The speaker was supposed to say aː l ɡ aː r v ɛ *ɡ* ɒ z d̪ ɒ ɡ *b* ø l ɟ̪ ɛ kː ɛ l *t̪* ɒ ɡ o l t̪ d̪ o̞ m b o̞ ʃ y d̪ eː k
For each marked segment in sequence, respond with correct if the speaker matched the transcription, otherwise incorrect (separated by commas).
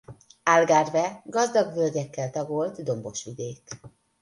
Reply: correct, incorrect, correct